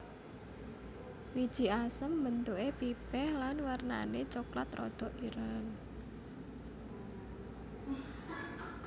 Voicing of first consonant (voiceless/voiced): voiced